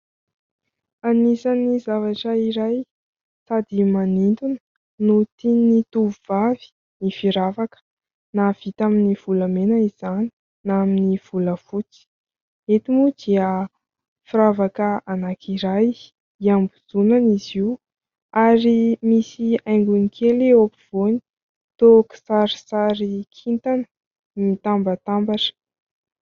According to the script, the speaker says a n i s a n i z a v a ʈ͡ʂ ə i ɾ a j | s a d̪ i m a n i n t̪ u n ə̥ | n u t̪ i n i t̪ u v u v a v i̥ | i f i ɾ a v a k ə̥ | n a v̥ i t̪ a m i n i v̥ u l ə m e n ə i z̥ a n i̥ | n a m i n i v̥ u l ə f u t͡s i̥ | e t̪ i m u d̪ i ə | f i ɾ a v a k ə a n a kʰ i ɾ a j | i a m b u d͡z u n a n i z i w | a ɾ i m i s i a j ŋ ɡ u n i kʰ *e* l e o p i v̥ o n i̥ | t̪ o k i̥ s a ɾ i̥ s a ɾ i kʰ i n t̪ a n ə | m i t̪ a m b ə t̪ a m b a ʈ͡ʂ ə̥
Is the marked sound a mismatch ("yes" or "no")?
no